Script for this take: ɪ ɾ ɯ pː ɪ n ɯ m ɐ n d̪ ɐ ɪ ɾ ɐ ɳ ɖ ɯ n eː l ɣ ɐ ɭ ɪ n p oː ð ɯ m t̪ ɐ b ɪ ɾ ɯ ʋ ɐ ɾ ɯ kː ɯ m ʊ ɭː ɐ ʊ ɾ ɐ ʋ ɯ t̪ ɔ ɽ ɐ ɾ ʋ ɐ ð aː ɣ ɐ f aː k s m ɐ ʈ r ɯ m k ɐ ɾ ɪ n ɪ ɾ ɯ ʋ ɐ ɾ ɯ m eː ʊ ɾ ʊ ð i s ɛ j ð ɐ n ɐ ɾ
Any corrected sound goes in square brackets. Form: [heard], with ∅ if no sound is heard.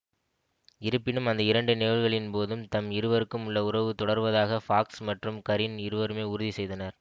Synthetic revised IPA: ɪ ɾ ɯ pː ɪ n ɯ m ɐ n d̪ ɐ ɪ ɾ ɐ ɳ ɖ ɯ n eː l ɣ ɐ ɭ ɪ n p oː ð ɯ m t̪ ɐ [m] ɪ ɾ ɯ ʋ ɐ ɾ ɯ kː ɯ m ʊ ɭː ɐ ʊ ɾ ɐ ʋ ɯ t̪ ɔ ɽ ɐ ɾ ʋ ɐ ð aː ɣ ɐ f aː k s m ɐ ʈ r ɯ m k ɐ ɾ ɪ n ɪ ɾ ɯ ʋ ɐ ɾ ɯ m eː ʊ ɾ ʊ ð i s ɛ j ð ɐ n ɐ ɾ